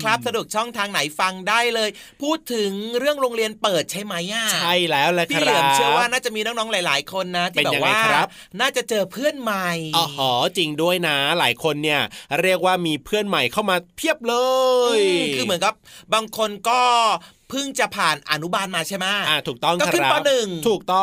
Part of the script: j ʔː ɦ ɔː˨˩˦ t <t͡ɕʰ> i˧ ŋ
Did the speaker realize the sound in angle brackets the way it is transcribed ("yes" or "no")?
no